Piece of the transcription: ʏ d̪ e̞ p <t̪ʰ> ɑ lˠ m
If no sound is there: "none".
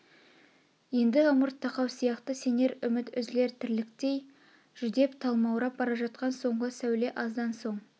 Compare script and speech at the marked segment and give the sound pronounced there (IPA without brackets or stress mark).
t̪ʰ